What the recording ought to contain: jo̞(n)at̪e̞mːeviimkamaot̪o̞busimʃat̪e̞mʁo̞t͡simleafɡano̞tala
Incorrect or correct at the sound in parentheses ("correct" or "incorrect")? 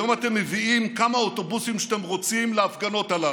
incorrect